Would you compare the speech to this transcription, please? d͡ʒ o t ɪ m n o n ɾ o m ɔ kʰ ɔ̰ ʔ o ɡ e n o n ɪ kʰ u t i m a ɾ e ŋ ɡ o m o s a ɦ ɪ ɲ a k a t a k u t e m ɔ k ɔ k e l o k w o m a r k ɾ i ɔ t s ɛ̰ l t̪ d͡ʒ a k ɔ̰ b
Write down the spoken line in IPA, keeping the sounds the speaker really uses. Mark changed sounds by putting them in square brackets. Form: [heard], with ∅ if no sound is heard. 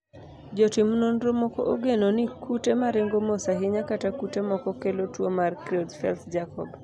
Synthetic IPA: d͡ʒ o t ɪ m n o n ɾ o m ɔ [k] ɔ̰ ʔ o ɡ e n o n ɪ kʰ u t [e] m a ɾ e ŋ ɡ o m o s a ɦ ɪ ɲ a k a t a k u t e m ɔ k ɔ k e l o [t] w o m a r k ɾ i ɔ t [f] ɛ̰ l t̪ d͡ʒ a k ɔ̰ b